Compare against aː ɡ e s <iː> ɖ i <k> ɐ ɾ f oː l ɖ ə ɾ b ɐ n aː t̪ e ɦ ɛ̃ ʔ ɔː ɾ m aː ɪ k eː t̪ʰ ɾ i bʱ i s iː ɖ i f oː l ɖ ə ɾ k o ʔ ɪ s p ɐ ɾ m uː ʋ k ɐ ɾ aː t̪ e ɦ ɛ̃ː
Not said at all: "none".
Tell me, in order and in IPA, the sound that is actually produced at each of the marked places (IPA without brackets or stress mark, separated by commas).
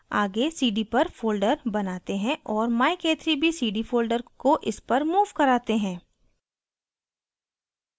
iː, p